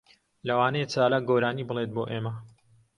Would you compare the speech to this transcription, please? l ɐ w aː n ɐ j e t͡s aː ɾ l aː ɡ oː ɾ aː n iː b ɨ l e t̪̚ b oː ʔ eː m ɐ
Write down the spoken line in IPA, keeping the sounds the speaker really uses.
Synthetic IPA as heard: l ɐ w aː n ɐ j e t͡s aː l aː ɡ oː ɾ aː n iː b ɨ l e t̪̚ b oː ʔ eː m ɐ